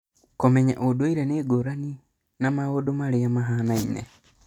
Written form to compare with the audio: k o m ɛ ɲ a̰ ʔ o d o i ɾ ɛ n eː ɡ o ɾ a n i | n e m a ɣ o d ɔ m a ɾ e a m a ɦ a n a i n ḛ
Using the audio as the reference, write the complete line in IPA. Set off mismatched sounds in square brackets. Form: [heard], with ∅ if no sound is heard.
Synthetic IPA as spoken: k o m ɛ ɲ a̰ ʔ o d o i ɾ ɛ n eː ɡ o ɾ a n i | n [a] m a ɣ o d [o] m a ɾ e a m a ɦ a n a i n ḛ

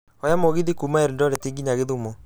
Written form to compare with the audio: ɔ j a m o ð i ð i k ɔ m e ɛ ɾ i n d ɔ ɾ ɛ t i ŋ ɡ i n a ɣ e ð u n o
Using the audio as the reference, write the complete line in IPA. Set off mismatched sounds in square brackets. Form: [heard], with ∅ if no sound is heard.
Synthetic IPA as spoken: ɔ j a m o [ɣ] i ð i k [u] m [a] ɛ ɾ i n d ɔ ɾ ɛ t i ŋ ɡ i [ɲ] a ɣ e ð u [m] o

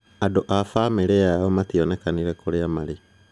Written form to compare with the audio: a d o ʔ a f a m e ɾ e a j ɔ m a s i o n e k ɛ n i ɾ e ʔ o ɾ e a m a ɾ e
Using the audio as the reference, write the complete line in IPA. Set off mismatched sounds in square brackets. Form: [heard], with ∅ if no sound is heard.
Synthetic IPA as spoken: a d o ʔ a f a m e ɾ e a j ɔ m a [t] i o n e k [a] n i ɾ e [k] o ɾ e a m a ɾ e

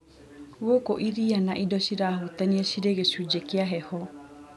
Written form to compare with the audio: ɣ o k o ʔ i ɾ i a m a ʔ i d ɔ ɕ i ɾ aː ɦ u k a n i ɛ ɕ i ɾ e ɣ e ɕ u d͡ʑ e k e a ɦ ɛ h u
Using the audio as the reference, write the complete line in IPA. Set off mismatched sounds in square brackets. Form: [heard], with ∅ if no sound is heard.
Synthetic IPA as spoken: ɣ o k o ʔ i ɾ i a [n] a ʔ i d ɔ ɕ i ɾ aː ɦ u [t] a n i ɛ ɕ i ɾ e ɣ e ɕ u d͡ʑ e k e a ɦ ɛ h [ɔ]

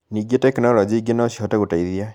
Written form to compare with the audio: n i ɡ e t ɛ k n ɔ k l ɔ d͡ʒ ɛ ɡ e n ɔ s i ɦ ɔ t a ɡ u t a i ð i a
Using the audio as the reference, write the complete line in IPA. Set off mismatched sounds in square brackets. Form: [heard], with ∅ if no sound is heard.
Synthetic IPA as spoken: n i ɡ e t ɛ k n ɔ [∅] l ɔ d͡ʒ [i] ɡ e n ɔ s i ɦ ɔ t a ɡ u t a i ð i a

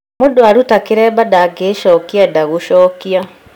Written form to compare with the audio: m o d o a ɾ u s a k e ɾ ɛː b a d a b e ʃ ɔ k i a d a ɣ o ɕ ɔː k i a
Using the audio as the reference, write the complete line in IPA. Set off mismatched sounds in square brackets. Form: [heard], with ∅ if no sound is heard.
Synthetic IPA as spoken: m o d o a ɾ u [t] a k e ɾ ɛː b a d a [ɡ] e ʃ ɔ k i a d a ɣ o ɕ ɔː k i a

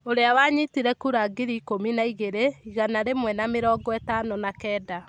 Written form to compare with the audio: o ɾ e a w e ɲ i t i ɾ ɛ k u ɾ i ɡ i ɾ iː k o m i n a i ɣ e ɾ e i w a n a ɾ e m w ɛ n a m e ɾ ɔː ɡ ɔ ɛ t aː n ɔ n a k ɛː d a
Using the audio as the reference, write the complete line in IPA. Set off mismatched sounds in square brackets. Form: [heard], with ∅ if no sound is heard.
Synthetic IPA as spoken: o ɾ e a w [a] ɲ i t i ɾ ɛ k u ɾ [a] ɡ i ɾ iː k o m i n a i ɣ e ɾ e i [ɣ] a n a ɾ e m w ɛ n a m e ɾ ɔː ɡ ɔ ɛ t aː n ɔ n a k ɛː d a

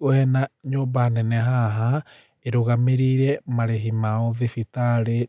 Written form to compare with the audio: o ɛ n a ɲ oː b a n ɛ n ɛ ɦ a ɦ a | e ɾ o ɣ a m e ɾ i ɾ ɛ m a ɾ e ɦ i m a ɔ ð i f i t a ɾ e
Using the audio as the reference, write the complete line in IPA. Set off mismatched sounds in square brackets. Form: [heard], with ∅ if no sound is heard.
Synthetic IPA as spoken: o ɛ n a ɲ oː b a n ɛ n ɛ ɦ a ɦ a | e ɾ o ɣ a m e ɾ i ɾ ɛ m a ɾ e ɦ i m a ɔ ð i f i t a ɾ e

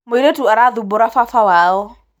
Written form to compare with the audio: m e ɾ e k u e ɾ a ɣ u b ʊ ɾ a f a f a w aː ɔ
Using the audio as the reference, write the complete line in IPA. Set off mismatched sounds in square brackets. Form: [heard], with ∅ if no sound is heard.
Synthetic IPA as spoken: m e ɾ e [t] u [a] ɾ a [ð] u b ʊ ɾ a f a f a w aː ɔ

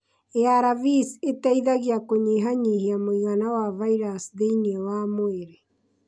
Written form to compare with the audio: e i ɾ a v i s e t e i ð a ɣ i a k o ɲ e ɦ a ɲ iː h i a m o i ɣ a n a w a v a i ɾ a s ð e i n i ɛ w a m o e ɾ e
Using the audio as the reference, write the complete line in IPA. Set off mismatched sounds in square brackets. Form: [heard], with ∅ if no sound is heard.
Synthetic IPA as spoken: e [a] ɾ a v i s e t [a] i ð a ɣ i a k o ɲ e ɦ a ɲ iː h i a m o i ɣ a n a w a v a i ɾ a s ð e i n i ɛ w a m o e ɾ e

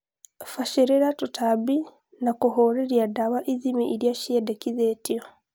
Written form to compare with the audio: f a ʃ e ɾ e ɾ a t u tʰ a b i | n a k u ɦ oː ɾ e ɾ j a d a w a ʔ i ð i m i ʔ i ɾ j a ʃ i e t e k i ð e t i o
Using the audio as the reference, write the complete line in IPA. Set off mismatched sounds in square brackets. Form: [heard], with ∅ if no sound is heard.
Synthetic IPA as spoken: f a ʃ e ɾ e ɾ a t u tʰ a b i | n a k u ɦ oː ɾ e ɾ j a d a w a ʔ i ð i m i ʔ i ɾ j a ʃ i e [d] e k i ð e t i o

